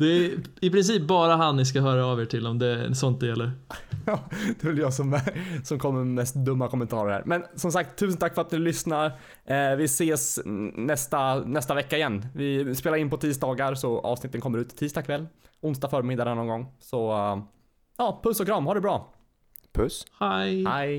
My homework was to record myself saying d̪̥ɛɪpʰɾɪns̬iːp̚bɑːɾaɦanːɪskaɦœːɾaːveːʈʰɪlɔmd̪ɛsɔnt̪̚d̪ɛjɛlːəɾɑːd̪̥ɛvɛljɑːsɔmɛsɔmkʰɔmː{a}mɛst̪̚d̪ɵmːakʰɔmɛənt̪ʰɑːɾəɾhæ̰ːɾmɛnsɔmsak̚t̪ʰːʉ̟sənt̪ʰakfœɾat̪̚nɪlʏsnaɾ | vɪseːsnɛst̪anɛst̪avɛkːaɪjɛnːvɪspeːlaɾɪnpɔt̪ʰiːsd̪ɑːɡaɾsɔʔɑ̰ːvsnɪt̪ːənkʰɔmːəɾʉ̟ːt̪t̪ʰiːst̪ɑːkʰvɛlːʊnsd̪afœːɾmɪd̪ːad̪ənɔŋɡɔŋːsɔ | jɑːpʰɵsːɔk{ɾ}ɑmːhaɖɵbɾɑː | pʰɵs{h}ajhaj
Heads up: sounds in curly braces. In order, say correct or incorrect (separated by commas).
incorrect, correct, correct